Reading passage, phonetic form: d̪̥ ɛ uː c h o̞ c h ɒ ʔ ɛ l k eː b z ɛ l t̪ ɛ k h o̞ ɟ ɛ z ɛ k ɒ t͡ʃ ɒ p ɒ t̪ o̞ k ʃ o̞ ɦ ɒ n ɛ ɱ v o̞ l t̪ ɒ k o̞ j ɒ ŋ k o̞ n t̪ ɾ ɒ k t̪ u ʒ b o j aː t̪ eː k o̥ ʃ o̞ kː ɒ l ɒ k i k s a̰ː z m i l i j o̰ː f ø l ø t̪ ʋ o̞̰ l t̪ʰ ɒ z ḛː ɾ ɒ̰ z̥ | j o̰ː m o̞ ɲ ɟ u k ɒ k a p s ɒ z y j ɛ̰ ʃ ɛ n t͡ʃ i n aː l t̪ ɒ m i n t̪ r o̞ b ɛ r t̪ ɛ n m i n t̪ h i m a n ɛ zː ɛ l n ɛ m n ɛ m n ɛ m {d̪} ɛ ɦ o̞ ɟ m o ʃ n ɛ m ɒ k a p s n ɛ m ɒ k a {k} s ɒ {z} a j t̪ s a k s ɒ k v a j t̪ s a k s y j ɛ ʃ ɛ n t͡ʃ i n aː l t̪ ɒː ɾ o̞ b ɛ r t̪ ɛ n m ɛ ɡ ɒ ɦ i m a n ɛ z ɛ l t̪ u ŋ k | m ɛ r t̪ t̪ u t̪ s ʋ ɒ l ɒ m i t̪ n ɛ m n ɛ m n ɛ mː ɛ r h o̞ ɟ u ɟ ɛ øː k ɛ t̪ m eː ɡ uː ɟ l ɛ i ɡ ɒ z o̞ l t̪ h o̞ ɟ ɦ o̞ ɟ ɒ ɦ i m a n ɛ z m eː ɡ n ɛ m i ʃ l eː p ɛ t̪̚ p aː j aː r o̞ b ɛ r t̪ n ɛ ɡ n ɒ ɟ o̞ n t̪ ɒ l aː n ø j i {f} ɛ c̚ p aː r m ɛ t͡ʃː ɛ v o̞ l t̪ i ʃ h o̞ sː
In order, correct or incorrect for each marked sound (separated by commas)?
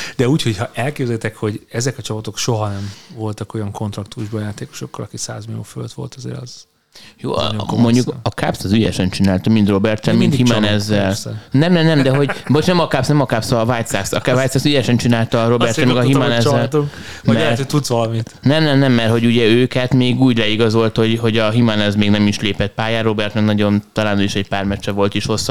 correct, incorrect, incorrect, incorrect